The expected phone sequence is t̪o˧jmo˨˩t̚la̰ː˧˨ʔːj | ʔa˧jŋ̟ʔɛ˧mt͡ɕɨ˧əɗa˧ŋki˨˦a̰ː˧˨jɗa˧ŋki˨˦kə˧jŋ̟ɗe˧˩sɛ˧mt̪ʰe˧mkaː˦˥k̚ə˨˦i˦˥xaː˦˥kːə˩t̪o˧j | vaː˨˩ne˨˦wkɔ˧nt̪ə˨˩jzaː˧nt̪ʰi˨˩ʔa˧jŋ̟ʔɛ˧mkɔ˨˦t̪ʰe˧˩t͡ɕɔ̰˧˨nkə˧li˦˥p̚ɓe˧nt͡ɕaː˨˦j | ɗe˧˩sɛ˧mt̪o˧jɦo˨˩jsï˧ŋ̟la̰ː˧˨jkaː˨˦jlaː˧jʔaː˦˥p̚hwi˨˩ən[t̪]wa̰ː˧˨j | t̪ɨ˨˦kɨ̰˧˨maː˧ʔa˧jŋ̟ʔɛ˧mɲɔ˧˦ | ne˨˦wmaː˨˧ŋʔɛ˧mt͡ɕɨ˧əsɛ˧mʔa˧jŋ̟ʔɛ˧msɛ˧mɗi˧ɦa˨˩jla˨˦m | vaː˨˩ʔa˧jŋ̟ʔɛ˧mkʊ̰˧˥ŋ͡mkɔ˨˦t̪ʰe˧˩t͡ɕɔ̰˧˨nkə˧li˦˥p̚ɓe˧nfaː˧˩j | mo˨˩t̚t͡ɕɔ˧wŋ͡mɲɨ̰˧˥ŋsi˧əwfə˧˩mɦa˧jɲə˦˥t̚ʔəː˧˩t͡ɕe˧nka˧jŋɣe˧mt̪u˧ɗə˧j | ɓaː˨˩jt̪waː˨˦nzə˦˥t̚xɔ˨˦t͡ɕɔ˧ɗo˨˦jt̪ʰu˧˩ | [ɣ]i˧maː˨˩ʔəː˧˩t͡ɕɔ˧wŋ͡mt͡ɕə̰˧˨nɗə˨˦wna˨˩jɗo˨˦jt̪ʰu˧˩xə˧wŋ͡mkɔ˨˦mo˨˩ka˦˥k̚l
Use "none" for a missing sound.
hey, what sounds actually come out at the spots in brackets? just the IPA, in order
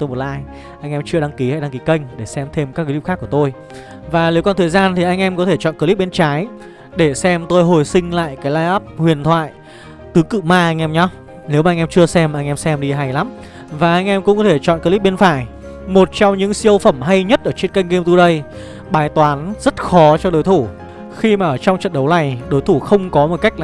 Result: t̪ʰ, x

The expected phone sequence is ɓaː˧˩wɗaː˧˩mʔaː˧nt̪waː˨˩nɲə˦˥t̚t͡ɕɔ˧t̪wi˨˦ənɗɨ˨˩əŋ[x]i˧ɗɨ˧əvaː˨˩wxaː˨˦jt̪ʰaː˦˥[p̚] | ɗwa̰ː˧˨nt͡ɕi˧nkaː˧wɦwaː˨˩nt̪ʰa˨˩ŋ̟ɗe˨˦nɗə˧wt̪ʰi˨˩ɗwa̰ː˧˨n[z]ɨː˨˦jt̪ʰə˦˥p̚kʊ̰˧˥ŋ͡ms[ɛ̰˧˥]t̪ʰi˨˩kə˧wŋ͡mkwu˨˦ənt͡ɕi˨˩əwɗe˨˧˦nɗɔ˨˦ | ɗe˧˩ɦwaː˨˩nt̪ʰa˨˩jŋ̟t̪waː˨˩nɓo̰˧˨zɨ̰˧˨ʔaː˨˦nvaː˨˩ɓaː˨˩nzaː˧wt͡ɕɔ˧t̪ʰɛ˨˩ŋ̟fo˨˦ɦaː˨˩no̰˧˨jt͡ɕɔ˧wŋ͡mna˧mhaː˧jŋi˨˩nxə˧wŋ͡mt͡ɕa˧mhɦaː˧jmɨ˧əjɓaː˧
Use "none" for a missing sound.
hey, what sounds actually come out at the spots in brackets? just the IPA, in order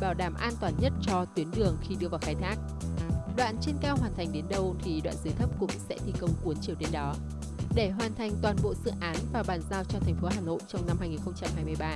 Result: x, k̚, z, ɛ̰˧˥

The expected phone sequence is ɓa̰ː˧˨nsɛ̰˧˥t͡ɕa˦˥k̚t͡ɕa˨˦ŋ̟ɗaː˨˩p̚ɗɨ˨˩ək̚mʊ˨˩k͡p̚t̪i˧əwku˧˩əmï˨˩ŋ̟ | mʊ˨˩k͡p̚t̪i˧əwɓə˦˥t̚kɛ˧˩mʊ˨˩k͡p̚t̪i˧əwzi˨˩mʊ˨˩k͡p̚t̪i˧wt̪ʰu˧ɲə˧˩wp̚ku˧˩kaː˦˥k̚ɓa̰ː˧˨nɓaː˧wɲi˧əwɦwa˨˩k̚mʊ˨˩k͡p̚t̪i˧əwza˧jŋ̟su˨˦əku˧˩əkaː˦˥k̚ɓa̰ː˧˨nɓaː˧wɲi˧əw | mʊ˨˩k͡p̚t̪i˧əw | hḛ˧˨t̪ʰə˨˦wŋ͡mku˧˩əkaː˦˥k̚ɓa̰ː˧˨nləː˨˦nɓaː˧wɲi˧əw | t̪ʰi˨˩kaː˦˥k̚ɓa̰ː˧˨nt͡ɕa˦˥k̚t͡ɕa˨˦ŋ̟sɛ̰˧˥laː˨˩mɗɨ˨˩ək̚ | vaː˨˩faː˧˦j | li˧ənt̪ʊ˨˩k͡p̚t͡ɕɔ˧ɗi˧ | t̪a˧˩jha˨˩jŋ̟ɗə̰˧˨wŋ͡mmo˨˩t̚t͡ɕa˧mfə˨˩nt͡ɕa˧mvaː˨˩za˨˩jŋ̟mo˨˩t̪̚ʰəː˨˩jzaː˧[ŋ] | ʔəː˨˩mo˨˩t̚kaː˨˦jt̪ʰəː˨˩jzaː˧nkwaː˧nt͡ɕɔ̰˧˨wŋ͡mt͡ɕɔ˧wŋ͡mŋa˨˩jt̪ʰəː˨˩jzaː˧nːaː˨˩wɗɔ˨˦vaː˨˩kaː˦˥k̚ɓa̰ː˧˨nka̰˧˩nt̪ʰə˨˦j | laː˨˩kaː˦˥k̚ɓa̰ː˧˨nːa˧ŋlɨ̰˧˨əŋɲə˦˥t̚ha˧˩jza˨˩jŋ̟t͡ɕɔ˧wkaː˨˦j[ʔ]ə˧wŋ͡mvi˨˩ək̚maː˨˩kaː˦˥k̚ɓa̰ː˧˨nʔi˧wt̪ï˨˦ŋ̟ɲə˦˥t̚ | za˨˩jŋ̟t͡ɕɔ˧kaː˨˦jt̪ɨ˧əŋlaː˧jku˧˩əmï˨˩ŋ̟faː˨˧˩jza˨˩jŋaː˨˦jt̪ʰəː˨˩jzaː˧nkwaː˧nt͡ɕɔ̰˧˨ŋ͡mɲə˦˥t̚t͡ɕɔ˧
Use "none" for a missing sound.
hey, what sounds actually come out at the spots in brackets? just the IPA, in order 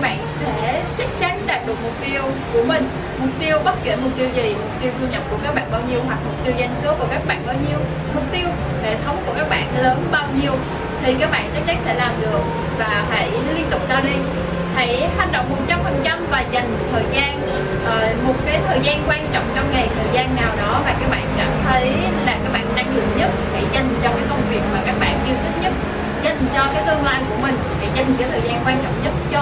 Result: n, k

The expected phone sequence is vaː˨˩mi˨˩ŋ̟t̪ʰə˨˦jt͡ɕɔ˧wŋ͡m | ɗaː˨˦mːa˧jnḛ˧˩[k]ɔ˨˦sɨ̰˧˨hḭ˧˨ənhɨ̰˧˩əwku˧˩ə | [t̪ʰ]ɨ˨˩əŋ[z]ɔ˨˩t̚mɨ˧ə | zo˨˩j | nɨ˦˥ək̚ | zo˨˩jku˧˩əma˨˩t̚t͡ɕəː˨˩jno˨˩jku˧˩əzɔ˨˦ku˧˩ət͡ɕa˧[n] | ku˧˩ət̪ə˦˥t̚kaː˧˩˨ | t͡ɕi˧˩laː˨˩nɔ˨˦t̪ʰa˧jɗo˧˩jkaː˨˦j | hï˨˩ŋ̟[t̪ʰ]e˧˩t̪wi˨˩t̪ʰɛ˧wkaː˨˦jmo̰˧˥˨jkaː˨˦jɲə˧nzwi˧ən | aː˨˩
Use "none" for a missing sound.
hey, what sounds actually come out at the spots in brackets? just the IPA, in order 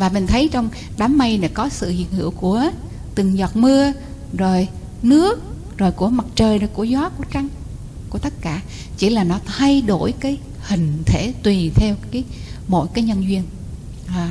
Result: k, t̪, z, ŋ, t̪ʰ

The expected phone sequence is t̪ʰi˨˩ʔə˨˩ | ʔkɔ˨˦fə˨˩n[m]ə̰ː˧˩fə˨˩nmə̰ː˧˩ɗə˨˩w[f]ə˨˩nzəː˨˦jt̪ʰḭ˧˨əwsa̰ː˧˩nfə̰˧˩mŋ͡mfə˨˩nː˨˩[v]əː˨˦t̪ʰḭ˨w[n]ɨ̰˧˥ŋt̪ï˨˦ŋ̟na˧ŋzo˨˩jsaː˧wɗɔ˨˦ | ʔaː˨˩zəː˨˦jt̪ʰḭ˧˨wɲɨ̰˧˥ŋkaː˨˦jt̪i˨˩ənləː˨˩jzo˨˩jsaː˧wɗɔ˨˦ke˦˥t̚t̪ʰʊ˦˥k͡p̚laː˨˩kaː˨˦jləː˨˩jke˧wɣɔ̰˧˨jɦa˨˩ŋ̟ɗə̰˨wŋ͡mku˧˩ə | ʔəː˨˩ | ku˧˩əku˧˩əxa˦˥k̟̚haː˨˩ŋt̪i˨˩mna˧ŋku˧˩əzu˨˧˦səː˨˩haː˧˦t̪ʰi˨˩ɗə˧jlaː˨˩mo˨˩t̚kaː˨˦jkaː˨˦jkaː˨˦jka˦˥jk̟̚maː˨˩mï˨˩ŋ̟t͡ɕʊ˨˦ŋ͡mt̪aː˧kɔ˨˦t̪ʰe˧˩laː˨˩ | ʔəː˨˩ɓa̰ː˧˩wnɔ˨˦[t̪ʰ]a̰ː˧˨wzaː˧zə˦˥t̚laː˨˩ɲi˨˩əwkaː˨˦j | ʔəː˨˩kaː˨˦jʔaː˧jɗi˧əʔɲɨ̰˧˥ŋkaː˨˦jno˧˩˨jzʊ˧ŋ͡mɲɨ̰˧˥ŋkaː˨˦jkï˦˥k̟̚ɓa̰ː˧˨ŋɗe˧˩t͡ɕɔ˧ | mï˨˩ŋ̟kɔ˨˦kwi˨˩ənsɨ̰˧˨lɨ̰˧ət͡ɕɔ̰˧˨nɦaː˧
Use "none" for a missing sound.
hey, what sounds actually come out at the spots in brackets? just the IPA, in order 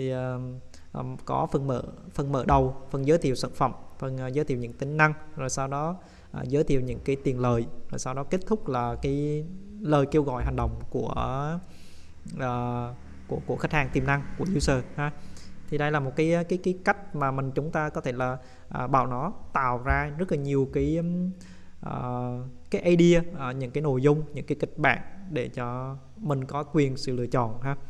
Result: m, f, z, ɲ, t̪

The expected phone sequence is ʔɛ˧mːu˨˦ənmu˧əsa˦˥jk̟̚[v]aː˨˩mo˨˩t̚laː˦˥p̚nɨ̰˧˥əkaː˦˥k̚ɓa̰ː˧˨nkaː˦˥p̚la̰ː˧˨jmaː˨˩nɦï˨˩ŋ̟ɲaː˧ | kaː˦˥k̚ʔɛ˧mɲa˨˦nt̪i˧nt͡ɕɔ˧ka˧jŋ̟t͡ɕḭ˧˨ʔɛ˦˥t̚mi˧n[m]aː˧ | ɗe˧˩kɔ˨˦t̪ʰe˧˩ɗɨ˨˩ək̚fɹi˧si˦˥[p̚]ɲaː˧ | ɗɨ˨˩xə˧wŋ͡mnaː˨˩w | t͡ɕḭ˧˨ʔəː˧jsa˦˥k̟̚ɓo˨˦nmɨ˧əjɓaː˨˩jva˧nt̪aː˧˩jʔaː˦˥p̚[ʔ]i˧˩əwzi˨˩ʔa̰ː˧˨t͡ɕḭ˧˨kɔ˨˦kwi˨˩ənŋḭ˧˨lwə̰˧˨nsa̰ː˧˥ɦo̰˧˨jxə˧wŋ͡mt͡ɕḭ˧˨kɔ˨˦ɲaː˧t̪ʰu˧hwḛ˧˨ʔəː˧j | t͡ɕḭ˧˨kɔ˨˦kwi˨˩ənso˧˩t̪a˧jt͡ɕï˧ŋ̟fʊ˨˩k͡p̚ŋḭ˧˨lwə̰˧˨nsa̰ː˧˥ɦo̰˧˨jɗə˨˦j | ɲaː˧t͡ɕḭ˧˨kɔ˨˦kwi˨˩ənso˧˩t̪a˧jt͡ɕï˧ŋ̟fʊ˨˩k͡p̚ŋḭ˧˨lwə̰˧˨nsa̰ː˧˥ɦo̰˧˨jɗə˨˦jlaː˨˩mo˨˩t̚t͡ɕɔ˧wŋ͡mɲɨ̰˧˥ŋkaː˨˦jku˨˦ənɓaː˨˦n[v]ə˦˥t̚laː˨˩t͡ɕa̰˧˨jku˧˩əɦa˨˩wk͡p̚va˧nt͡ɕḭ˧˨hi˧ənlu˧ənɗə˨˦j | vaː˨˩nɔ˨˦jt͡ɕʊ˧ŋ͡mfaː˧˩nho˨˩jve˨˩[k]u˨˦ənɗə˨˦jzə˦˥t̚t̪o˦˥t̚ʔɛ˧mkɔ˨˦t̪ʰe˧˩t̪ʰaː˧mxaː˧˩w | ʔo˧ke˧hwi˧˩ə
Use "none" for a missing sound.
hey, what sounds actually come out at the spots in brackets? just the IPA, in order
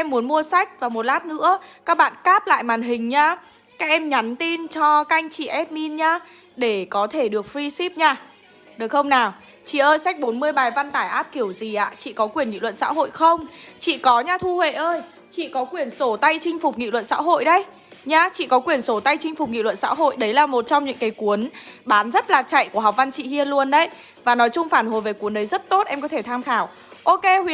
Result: v, ɲ, p̚, k, z, k

